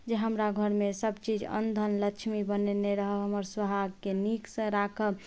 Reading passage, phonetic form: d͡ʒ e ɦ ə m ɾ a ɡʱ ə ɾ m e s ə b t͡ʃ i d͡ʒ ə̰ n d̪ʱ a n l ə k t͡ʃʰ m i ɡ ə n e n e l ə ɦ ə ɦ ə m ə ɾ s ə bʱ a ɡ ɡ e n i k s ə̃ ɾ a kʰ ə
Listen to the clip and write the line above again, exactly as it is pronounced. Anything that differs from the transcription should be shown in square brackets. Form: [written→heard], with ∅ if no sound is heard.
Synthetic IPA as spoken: d͡ʒ e ɦ ə m ɾ a ɡʱ ə ɾ m e s ə b t͡ʃ i d͡ʒ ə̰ n d̪ʱ [a→ə] n l ə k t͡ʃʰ m i [ɡ→b] ə n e n e [l→ɾ] ə ɦ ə ɦ ə m ə ɾ s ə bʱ a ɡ [ɡ→k] e n i k s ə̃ ɾ a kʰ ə